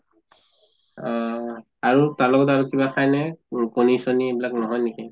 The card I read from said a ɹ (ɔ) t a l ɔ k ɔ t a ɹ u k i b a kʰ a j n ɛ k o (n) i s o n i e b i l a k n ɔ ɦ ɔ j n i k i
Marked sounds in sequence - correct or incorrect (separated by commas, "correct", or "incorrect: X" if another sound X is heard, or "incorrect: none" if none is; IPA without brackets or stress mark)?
incorrect: u, correct